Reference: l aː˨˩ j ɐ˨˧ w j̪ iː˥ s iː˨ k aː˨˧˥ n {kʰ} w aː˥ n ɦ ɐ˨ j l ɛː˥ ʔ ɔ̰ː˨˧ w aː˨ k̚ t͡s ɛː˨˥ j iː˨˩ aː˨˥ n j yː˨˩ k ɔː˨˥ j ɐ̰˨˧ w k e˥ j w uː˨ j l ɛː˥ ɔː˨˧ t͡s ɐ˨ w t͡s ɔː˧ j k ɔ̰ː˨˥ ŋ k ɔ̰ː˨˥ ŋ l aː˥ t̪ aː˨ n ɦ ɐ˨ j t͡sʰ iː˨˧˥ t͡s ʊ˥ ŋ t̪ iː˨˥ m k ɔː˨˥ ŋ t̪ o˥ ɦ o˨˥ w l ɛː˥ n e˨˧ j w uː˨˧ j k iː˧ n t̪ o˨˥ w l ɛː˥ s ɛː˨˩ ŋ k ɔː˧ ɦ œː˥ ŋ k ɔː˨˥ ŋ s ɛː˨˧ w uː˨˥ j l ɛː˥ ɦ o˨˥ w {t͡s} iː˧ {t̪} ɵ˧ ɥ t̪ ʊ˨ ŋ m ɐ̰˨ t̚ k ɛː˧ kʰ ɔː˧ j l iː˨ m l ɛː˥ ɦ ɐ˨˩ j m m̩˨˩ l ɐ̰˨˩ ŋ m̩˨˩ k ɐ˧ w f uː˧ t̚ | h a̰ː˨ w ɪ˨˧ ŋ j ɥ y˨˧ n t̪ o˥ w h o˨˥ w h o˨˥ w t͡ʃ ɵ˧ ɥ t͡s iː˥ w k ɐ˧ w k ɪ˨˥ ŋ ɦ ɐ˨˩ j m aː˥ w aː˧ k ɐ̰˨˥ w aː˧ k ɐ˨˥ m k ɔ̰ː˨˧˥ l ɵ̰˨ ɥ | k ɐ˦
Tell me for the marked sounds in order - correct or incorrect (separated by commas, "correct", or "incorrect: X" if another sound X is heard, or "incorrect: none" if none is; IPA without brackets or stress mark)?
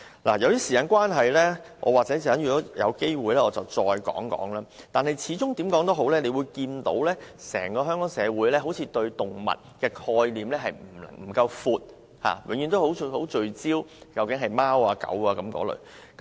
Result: incorrect: k, incorrect: t͡sʰ, correct